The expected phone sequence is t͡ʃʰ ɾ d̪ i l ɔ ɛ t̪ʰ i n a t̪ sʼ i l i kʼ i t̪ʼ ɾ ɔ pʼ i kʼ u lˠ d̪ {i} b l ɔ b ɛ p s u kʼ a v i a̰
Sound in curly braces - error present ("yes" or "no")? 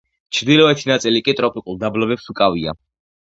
yes